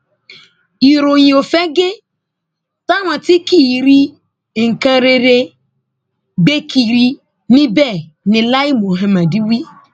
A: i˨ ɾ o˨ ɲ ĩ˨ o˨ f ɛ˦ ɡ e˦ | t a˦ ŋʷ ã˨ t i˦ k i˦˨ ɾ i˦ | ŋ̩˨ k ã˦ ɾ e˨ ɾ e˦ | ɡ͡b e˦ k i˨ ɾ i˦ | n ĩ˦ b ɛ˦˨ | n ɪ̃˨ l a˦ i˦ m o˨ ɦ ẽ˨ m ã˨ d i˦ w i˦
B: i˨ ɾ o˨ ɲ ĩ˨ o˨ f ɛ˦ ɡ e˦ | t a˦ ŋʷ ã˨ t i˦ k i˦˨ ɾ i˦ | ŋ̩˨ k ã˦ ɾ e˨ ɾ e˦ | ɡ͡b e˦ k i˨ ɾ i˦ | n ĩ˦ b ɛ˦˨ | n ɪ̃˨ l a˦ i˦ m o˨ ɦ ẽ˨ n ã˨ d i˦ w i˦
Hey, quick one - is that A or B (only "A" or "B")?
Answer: A